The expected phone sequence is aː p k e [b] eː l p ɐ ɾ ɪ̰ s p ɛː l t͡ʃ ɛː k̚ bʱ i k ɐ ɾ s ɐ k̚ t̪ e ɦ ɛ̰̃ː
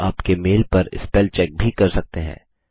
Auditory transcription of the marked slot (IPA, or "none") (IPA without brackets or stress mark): m